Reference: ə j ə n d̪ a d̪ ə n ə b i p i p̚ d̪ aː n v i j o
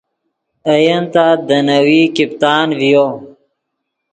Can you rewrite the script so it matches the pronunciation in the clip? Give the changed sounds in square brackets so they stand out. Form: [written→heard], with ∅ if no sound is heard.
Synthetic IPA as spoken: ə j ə n [d̪→t̪] a d̪ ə n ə [b→w] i [p→k] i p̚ [d̪→t̪] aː n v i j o